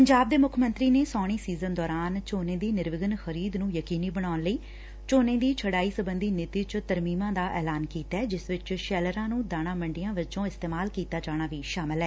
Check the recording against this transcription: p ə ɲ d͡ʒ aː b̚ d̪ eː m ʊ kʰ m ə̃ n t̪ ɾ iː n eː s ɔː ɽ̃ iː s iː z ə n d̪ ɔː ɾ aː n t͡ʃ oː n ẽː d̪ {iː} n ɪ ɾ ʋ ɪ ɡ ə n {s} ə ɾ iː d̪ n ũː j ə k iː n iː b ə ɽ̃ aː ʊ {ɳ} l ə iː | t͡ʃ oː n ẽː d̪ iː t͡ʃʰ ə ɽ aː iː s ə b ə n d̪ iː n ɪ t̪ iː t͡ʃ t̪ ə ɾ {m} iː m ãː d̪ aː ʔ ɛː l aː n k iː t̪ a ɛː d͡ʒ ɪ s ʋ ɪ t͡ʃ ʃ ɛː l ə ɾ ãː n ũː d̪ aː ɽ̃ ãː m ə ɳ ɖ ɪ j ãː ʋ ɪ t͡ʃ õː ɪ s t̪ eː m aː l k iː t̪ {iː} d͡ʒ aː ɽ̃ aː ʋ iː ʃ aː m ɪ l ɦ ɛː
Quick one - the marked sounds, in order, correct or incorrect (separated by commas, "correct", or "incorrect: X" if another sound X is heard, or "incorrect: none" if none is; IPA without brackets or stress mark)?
correct, incorrect: x, incorrect: n, correct, incorrect: aː